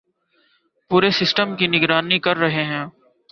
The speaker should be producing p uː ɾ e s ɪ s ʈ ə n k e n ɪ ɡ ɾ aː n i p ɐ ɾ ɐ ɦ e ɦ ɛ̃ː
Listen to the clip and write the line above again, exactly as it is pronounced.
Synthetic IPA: p uː ɾ e s ɪ s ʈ ə m k i n ɪ ɡ ɾ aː n i k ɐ ɾː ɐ ɦ e ɦ ɛ̃ː